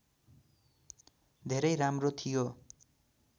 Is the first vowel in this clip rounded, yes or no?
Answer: no